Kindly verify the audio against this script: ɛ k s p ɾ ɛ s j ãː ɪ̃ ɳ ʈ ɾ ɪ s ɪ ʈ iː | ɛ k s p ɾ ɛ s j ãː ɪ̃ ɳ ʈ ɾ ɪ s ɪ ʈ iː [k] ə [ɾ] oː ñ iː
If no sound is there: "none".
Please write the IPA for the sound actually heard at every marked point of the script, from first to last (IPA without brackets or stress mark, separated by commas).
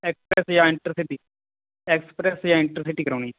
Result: k, ɾ